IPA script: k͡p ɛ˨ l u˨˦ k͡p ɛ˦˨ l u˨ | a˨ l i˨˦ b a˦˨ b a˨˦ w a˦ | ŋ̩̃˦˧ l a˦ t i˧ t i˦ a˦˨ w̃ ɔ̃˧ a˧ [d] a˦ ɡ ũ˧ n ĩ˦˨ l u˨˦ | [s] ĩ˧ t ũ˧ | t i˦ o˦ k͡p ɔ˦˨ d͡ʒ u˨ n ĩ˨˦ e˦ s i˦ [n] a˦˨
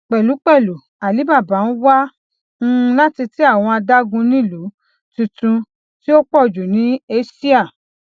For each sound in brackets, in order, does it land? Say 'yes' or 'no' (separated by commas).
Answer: yes, no, no